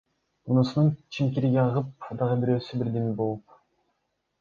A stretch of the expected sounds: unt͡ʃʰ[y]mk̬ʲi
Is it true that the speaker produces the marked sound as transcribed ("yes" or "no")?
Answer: no